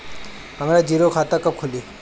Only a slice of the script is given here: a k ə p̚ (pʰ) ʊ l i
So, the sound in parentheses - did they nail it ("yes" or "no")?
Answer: no